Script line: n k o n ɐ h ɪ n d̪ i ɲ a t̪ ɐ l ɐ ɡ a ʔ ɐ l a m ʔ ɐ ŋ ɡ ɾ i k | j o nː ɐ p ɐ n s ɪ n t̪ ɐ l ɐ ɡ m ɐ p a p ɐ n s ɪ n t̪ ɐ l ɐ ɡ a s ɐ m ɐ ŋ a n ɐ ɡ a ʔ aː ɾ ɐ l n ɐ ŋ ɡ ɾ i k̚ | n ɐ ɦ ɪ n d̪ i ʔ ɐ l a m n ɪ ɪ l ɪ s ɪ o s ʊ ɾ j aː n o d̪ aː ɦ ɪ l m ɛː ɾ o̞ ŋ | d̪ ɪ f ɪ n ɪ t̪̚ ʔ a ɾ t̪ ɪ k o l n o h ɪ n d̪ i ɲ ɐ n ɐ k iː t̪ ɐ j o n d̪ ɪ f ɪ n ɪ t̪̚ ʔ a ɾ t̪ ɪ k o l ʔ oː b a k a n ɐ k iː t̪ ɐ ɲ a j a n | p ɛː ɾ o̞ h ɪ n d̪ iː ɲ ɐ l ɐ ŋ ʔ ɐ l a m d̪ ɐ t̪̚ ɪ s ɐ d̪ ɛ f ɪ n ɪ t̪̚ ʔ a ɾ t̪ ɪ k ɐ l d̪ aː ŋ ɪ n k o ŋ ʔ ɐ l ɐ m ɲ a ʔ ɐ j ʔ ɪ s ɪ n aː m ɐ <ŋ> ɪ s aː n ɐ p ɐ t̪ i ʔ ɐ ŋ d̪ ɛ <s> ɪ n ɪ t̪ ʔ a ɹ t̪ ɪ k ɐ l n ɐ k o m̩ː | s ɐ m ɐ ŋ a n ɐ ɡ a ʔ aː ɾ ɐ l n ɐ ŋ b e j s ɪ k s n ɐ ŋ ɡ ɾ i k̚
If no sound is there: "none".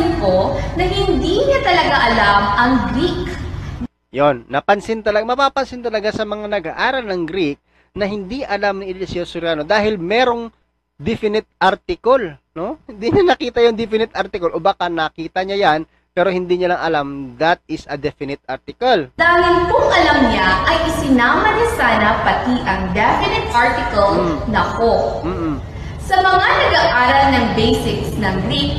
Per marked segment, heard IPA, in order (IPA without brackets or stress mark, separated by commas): n, f